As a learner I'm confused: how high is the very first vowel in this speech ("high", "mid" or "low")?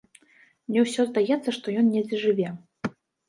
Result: mid